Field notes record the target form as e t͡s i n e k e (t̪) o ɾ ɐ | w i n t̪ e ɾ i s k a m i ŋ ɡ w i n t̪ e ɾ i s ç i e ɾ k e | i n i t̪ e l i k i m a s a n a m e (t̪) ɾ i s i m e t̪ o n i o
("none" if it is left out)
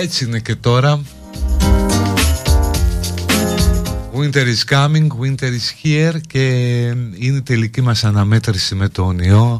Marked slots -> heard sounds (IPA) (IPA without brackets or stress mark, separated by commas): t̪, t̪